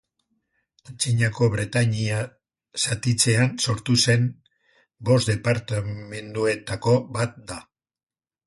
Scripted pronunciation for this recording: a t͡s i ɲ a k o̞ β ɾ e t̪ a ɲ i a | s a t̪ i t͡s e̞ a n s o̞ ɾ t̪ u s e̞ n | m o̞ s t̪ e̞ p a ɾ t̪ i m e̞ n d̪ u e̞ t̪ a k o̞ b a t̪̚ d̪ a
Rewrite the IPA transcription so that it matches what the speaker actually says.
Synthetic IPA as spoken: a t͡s i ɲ a k o̞ β ɾ e t̪ a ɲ i a | s a t̪ i t͡s e̞ a n s o̞ ɾ t̪ u s e̞ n | b o̞ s d̪ e̞ p a ɾ t̪ a m e̞ n d̪ u e̞ t̪ a k o̞ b a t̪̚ d̪ a